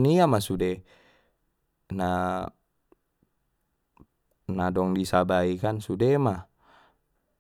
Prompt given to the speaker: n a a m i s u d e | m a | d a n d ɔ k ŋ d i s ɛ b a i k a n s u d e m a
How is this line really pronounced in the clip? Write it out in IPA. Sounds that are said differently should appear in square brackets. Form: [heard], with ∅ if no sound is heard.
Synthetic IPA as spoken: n [i] a m [a] s u d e | [n] a | [n] a [∅] d ɔ [∅] ŋ d i s [a] b a i k a n s u d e m a